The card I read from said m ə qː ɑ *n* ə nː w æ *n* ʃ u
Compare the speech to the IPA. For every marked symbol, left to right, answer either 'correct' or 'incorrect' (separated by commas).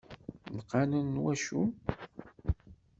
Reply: correct, incorrect